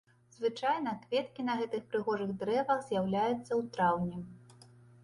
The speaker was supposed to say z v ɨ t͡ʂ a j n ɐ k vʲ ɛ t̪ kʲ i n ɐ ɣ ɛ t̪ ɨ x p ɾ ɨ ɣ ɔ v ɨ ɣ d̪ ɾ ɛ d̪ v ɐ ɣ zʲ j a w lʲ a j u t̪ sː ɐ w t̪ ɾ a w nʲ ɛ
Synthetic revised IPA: z v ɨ t͡ʂ a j n ɐ k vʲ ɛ t̪ kʲ i n ɐ ɣ ɛ t̪ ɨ x p ɾ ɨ ɣ ɔ ʐ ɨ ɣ d̪ ɾ ɛ v ɐ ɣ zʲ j a w lʲ a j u t̪ sː ɐ w t̪ ɾ a w nʲ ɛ